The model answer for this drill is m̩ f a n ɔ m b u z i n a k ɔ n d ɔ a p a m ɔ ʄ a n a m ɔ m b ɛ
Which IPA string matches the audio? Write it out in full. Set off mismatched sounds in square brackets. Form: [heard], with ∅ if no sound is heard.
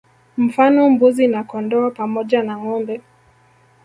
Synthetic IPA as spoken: m̩ f a n ɔ m b u z i n a k ɔ n d ɔ a p a m ɔ ʄ a n a [ŋ] ɔ m b ɛ

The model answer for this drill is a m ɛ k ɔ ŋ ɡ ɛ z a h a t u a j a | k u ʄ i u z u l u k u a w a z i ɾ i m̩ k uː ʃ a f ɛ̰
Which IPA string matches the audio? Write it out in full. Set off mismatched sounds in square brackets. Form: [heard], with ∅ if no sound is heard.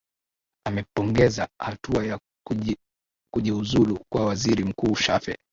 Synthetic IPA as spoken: a m ɛ [p] ɔ ŋ ɡ ɛ z a h a t u a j a | k u ʄ i u z u l u k [w] a w a z i ɾ i m̩ k uː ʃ a f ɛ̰

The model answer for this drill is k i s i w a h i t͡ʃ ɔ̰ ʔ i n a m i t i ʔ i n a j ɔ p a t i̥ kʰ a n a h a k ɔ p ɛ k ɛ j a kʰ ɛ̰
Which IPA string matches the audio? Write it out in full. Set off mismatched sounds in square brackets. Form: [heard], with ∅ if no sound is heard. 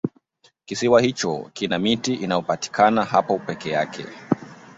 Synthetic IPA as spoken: k i s i w a h i t͡ʃ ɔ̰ [k] i n a m i t i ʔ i n a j ɔ p a t i̥ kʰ a n a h a [p] ɔ p ɛ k ɛ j a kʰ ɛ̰

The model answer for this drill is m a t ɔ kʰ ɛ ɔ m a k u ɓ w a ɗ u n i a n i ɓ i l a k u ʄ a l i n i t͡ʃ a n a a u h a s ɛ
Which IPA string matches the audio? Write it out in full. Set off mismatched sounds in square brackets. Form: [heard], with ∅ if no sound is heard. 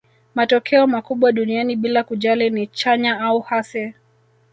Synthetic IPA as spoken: m a t ɔ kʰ ɛ ɔ m a k u ɓ w a ɗ u n i a n i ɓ i l a k u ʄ a l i n i t͡ʃ a [ɲ] a a u h a s ɛ

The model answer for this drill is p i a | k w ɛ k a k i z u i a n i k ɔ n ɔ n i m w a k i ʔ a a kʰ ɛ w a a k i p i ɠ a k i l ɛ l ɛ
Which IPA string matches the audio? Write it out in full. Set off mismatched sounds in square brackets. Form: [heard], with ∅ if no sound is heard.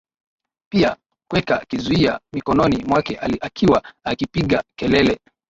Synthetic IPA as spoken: p i a | k w ɛ k a k i z u i a [m] i k ɔ n ɔ n i m w a k [ɛ] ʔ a a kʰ [i] w a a k i p i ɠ a k [ɛ] l ɛ l ɛ

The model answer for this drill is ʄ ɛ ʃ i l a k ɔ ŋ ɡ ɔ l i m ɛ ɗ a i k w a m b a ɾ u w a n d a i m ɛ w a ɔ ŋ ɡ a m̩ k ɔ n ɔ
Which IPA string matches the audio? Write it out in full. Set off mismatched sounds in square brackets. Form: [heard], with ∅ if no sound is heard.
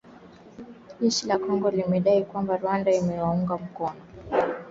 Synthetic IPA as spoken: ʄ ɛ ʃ i l a k ɔ ŋ ɡ ɔ l i m ɛ ɗ a i k w a m b a ɾ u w a n d a i m ɛ w a [u] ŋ ɡ a m̩ k ɔ n ɔ

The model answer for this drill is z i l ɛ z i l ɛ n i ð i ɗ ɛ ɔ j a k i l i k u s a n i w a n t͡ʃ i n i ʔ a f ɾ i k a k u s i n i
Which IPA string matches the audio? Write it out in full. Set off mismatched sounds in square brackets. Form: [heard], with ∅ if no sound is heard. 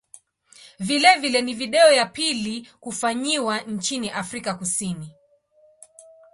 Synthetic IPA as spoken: [v] i l ɛ [v] i l ɛ n i [v] i ɗ ɛ ɔ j a [p] i l i k u [f] a [ɲ] i w a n t͡ʃ i n i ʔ a f ɾ i k a k u s i n i

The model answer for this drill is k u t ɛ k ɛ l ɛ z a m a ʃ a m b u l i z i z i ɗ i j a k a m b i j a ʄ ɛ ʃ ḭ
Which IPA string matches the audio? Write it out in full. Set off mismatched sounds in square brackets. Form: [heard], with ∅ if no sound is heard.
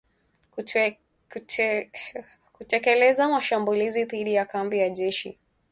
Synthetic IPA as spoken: k u t ɛ k ɛ l ɛ z a m a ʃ a m b u l i z i [ð] i ɗ i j a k a m b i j a ʄ ɛ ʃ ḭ

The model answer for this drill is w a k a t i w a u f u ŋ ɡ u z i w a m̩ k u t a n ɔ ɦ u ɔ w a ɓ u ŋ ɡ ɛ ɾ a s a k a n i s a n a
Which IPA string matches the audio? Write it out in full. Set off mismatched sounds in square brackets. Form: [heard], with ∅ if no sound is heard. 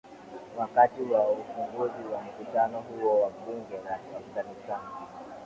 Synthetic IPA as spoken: w a k a t i w a u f u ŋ ɡ u z i w a m̩ k u t a n ɔ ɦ u ɔ w a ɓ u ŋ ɡ ɛ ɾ a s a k a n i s a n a

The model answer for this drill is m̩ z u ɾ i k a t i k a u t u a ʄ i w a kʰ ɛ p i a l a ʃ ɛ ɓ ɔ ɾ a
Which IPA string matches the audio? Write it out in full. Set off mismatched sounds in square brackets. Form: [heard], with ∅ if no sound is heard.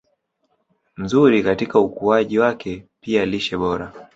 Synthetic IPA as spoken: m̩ z u ɾ i k a t i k a u [k] u a ʄ i w a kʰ ɛ p i a l [i] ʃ ɛ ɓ ɔ ɾ a

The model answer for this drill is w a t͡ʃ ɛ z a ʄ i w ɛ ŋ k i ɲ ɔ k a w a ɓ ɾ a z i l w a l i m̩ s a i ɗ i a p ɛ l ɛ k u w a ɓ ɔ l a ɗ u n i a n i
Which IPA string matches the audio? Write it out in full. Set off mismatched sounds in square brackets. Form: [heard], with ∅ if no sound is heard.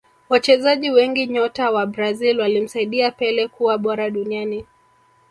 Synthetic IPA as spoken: w a t͡ʃ ɛ z a ʄ i w ɛ ŋ [ɡ] i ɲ ɔ [t] a w a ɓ ɾ a z i l w a l i m̩ s a i ɗ i a p ɛ l ɛ k u w a ɓ ɔ [ɾ] a ɗ u n i a n i

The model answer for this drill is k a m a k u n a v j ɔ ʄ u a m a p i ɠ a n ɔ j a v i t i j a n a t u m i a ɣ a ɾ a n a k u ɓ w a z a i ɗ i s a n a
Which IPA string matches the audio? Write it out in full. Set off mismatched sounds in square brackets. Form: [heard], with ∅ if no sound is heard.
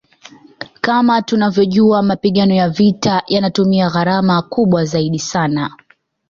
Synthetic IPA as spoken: k a m a [t] u n a v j ɔ ʄ u a m a p i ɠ a n ɔ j a v i t [a] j a n a t u m i a ɣ a ɾ a [m] a k u ɓ w a z a i ɗ i s a n a

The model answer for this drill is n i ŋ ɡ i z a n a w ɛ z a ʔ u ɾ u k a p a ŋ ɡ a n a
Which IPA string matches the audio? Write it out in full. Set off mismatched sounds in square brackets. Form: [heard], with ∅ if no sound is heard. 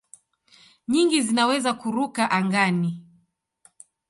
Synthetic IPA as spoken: [ɲ] i ŋ ɡ i z [i] n a w ɛ z a [k] u ɾ u k a [ʔ] a ŋ ɡ a n [i]

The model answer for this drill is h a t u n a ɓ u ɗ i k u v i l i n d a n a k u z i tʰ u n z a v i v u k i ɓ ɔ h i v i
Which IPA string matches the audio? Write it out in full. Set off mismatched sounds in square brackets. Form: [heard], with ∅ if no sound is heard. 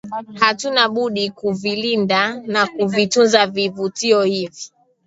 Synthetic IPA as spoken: h a t u n a ɓ u ɗ i k u v i l i n d a n a k u [v] i [t] u n z a v i v u [t] i [∅] ɔ h i v i

